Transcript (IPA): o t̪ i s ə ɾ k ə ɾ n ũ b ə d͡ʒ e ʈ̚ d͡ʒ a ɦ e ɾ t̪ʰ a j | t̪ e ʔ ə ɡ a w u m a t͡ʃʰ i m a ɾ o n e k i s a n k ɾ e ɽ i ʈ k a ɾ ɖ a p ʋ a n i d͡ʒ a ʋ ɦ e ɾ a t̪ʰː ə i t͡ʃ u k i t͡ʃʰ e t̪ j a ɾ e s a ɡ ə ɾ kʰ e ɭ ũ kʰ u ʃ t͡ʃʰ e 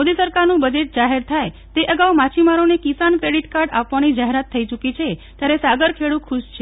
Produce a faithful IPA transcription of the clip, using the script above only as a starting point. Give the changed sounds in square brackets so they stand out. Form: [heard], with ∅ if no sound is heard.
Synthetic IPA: o [d̪] i s ə ɾ k [a] ɾ n ũ b ə d͡ʒ e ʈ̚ d͡ʒ a ɦ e ɾ t̪ʰ a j | t̪ e ʔ ə ɡ a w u m a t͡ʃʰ i m a ɾ o n e k i s a n k ɾ e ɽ i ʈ k a ɾ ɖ a p ʋ a n i d͡ʒ a [∅] ɦ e ɾ a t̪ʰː ə i t͡ʃ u k i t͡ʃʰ e t̪ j a ɾ e s a ɡ ə ɾ kʰ e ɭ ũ kʰ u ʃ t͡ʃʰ e